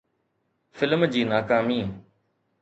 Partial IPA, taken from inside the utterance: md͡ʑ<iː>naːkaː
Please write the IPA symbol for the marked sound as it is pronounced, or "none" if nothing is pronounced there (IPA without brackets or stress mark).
iː